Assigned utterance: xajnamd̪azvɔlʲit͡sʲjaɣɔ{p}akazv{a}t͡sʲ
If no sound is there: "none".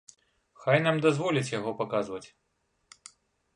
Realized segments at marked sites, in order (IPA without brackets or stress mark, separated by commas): p, ɐ